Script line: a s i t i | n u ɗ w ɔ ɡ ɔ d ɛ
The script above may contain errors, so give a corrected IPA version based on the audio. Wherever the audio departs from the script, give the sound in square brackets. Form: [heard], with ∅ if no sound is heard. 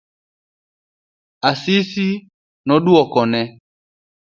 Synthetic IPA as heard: a s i [s] i | n [ɔ] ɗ [u] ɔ [k] ɔ [n] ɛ